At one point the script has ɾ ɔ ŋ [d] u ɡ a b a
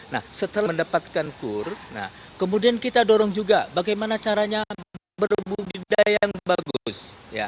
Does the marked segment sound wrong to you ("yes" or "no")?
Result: yes